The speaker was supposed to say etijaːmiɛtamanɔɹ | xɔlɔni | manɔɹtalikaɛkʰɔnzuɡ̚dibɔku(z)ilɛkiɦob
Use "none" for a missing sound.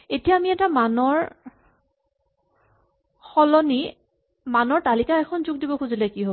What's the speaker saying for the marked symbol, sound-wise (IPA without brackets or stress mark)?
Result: z